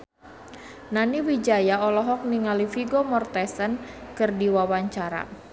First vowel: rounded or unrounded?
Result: unrounded